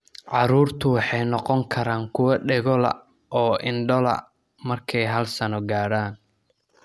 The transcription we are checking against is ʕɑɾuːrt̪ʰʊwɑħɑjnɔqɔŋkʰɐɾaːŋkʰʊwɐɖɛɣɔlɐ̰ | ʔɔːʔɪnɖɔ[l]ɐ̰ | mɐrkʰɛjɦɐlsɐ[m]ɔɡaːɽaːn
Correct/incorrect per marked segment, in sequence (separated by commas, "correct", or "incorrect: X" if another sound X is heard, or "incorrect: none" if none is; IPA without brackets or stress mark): correct, incorrect: n